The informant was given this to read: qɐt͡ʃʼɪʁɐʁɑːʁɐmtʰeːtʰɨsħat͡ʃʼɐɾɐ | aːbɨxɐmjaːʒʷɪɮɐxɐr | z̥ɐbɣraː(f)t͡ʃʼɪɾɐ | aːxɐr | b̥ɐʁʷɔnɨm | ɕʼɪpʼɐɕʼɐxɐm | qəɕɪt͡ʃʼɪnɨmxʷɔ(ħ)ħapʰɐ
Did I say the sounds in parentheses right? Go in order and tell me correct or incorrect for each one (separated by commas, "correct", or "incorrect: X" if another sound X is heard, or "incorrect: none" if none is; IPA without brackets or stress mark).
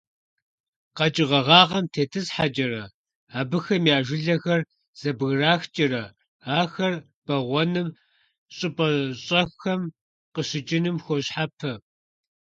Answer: incorrect: x, incorrect: ɕ